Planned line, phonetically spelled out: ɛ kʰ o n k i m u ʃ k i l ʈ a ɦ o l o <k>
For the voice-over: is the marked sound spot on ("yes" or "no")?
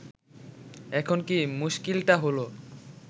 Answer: no